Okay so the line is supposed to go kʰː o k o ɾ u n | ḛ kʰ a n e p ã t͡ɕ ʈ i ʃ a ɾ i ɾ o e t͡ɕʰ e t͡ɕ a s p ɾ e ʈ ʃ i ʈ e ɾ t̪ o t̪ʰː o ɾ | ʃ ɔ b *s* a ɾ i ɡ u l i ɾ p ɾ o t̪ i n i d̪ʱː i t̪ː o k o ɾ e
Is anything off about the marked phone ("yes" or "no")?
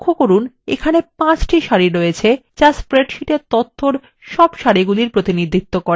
yes